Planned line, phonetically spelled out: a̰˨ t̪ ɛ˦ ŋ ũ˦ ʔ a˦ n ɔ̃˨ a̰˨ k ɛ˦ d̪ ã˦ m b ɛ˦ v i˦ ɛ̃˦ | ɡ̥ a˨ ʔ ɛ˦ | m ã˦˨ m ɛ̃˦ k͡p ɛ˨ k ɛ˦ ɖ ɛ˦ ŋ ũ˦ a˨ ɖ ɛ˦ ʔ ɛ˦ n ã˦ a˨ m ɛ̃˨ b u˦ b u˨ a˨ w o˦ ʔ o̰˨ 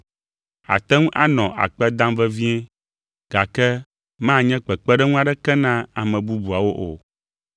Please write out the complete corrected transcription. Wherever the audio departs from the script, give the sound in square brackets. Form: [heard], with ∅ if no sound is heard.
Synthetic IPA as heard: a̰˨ t̪ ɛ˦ ŋ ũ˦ ʔ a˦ n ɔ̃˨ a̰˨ [k͡p] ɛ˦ d̪ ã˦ m [v] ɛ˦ v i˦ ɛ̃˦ | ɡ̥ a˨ [k] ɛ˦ | m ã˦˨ [ɲ] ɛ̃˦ k͡p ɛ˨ [k͡p] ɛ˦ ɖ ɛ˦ ŋ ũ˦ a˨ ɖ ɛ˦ [k] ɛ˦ n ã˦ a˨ m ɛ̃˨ b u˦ b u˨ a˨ w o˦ ʔ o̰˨

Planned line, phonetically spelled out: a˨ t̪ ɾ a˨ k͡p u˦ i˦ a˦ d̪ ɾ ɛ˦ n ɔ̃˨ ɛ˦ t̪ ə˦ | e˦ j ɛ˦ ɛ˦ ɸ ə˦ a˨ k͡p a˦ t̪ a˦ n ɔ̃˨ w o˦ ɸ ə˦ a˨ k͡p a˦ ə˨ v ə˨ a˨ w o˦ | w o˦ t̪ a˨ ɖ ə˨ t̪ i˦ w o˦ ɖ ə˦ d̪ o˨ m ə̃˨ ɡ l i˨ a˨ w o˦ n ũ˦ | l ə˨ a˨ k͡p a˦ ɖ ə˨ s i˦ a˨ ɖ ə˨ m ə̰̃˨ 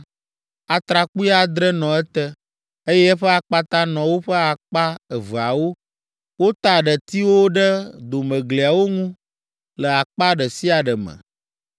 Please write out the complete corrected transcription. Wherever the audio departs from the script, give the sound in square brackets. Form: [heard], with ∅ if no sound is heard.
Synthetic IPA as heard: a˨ t̪ ɾ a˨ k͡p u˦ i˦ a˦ d̪ ɾ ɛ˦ n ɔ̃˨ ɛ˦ t̪ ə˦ | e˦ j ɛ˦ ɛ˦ ɸ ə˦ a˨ k͡p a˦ t̪ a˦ n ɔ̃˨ w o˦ ɸ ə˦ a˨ k͡p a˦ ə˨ v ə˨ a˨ w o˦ | w o˦ t̪ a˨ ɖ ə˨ t̪ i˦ w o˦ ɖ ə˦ d̪ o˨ m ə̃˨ ɡ l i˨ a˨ w o˦ [ŋ] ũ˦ | l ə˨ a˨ k͡p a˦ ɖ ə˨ s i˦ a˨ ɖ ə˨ m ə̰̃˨

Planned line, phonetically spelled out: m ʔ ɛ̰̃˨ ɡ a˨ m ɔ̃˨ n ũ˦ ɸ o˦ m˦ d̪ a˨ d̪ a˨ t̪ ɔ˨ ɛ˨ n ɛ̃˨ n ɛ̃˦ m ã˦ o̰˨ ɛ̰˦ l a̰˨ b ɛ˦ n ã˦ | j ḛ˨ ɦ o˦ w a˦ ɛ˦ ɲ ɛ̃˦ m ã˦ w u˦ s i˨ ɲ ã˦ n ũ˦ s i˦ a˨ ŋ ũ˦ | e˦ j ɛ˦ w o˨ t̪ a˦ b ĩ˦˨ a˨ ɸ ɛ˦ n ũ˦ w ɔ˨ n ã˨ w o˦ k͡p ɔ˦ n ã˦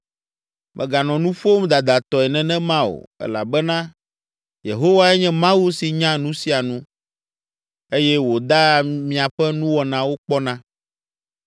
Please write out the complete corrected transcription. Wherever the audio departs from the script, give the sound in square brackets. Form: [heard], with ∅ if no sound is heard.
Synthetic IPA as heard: m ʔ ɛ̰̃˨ ɡ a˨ [n] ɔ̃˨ n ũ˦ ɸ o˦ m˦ d̪ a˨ d̪ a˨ t̪ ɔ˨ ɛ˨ n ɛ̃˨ n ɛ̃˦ m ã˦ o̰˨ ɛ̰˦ l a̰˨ b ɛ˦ n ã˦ | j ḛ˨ ɦ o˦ w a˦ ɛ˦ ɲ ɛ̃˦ m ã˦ w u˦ s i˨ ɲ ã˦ n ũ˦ s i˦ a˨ [n] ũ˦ | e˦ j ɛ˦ w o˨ [d̪] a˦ [m] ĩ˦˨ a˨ ɸ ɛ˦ n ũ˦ w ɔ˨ n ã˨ w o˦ k͡p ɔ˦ n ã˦

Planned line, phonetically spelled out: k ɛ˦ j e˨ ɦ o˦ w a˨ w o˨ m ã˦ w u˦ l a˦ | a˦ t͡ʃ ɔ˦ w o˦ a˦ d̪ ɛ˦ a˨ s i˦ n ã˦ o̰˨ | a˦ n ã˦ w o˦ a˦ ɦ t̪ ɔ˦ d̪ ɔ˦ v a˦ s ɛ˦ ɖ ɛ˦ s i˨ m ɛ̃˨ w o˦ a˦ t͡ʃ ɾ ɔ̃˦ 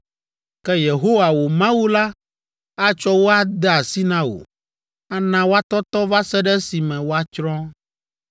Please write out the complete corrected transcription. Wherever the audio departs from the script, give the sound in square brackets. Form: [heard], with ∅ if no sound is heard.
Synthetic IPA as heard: k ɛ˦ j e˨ ɦ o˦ w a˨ w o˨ m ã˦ w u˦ l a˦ | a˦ t͡ʃ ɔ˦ w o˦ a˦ d̪ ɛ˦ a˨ s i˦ n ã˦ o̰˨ | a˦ n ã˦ w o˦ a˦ [∅] t̪ ɔ˦ [t̪] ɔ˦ v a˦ s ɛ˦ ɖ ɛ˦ s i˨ m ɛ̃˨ w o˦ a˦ t͡ʃ ɾ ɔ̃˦

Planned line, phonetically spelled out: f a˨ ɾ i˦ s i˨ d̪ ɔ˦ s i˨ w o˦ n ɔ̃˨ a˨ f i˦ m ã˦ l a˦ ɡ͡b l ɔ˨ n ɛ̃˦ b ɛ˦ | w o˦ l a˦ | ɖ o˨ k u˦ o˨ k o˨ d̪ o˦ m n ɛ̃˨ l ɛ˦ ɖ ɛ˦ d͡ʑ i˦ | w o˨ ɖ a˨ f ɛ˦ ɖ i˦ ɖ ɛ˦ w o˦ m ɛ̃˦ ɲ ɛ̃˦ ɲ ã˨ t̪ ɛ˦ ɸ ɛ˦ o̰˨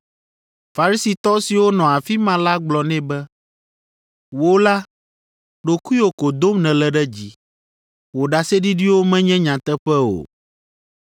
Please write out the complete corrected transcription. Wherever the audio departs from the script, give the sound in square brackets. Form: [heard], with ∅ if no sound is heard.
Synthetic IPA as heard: f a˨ ɾ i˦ s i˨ [t̪] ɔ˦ s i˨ w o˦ n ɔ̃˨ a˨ f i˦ m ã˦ l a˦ ɡ͡b l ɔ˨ n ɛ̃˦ b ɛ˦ | w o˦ l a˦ | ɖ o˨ k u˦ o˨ k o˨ d̪ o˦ m n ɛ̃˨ l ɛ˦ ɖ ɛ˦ d͡ʑ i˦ | w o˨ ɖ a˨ [s] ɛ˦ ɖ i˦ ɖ [i˦] w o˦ m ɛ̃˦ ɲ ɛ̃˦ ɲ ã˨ t̪ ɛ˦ ɸ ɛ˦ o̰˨

